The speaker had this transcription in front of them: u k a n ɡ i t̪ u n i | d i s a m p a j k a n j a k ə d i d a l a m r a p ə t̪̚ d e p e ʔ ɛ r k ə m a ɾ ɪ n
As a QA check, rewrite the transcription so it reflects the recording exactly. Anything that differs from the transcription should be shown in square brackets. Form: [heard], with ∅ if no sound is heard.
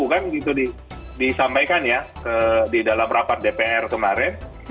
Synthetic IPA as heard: u k a n ɡ i t̪ u [d] i | d i s a m p a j k a n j a k ə d i d a l a m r a p [a] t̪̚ d e p e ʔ ɛ r k ə m a ɾ ɪ n